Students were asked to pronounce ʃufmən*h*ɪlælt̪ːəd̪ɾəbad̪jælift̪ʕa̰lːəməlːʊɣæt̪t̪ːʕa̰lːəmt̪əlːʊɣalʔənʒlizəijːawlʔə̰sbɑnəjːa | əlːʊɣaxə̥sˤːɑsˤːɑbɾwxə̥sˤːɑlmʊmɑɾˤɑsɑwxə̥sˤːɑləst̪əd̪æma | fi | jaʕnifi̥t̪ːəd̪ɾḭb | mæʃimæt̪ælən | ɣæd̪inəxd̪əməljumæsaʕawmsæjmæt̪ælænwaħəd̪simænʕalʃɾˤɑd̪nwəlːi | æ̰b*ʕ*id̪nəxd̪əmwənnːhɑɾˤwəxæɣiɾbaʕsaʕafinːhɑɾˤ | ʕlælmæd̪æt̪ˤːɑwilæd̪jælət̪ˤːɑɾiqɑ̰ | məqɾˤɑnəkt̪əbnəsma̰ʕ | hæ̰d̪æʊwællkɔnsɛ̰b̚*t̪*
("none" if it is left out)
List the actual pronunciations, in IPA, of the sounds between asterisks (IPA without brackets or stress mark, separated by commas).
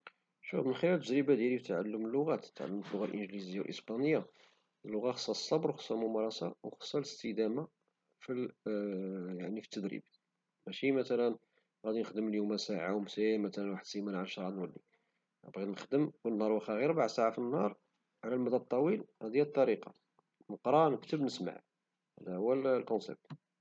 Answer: x, ɣ, t̪